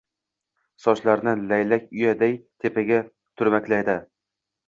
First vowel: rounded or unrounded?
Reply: rounded